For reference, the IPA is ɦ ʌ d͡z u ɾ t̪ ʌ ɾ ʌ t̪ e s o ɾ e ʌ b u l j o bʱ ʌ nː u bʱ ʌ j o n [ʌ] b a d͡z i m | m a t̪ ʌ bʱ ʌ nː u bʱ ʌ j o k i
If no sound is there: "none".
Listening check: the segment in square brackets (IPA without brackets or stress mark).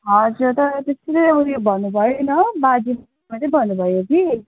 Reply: ʌ